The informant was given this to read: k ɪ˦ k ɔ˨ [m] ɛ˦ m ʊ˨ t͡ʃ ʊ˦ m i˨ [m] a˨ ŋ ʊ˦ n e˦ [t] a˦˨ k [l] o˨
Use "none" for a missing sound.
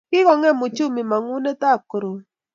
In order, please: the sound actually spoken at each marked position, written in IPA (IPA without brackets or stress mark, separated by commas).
ŋ, m, t, ɾ